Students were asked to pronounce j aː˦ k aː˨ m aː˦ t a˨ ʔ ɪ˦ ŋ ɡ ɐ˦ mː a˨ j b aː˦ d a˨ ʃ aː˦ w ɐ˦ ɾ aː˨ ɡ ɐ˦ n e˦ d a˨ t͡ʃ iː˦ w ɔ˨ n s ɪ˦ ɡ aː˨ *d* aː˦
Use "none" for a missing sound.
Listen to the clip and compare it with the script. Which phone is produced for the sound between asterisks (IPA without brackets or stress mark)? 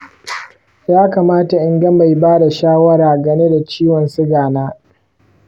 n